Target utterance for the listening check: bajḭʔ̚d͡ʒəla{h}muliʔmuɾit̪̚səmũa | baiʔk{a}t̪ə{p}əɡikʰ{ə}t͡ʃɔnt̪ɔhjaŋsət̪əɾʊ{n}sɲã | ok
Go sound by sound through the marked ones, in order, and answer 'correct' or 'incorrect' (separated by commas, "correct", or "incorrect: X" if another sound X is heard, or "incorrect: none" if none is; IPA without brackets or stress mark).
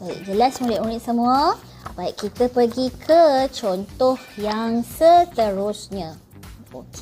incorrect: s, incorrect: i, correct, correct, incorrect: none